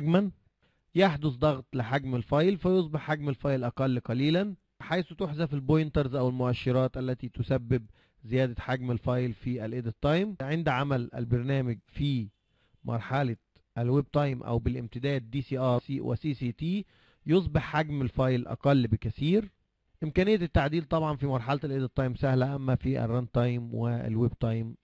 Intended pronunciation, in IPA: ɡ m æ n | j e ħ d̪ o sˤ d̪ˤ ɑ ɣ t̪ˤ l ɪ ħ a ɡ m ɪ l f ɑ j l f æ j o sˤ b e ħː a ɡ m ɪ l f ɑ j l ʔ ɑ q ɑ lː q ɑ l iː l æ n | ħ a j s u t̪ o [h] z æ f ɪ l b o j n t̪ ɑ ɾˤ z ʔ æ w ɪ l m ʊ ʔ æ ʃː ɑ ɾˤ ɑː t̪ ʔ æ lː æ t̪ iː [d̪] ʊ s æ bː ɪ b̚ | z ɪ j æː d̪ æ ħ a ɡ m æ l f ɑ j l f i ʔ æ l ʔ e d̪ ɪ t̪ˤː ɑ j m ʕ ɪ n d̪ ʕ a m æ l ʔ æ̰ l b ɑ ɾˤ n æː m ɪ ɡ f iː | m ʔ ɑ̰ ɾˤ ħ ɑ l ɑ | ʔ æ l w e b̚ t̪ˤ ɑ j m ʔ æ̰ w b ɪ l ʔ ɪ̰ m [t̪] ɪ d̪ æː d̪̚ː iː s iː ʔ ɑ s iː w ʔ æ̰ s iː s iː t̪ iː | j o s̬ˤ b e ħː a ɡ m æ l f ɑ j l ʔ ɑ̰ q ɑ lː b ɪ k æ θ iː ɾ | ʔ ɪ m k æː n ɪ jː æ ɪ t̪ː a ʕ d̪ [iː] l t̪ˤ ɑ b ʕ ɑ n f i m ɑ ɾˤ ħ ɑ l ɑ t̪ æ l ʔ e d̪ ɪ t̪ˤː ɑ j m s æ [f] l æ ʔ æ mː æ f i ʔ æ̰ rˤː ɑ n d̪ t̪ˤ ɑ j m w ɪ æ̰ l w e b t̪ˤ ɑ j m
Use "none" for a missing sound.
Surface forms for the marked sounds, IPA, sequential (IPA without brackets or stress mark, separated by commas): ħ, t̪, t̪, iː, h